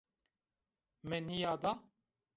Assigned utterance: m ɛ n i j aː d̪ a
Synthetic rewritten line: m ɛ n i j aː d̪ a